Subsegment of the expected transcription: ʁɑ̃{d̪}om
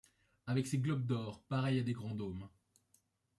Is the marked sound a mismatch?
no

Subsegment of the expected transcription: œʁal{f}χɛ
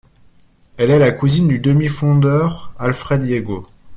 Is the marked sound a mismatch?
no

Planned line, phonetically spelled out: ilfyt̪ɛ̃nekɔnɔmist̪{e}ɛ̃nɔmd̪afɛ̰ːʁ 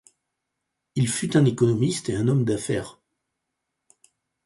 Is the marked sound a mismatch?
no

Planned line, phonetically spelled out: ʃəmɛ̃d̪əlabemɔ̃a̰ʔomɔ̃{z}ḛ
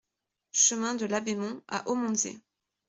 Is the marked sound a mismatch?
no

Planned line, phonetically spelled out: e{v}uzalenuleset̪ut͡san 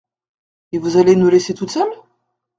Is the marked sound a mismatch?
no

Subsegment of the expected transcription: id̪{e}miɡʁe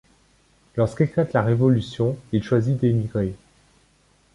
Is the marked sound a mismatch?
no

